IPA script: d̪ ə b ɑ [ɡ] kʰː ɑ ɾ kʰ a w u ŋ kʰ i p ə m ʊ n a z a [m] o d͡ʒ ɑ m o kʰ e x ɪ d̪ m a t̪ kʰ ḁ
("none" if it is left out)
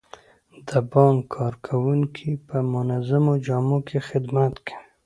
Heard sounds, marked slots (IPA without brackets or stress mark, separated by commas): ŋ, m